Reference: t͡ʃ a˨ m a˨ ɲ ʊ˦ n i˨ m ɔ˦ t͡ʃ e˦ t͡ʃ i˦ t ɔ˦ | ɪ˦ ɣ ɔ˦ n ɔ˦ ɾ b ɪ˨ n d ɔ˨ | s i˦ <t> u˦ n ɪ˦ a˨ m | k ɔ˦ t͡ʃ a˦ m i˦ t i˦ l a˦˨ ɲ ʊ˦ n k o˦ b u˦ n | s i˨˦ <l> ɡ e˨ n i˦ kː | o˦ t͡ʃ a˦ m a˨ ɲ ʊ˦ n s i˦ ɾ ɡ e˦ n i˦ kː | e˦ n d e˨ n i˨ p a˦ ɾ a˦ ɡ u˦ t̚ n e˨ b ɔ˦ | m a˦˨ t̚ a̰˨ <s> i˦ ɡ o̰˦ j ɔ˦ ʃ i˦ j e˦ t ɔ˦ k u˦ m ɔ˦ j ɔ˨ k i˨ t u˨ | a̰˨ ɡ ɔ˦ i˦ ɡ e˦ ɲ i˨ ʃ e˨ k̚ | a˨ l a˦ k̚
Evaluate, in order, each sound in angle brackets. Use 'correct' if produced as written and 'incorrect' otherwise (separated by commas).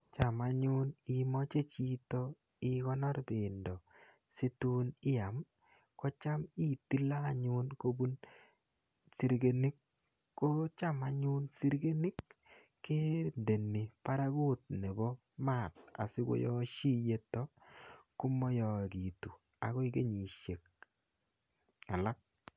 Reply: correct, incorrect, correct